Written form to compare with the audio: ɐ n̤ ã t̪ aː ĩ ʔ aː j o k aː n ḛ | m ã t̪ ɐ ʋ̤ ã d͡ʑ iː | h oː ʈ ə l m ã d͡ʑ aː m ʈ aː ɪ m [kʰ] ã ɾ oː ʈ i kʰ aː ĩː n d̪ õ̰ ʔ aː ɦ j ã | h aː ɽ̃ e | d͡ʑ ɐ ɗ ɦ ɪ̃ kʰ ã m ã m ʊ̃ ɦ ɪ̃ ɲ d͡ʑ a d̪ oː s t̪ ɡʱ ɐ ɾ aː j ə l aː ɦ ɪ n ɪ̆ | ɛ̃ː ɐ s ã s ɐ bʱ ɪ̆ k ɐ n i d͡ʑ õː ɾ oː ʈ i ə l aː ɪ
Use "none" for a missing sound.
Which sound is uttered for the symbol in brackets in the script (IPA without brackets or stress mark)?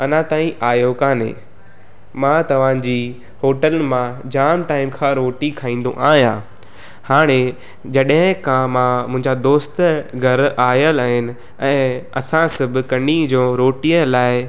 kʰ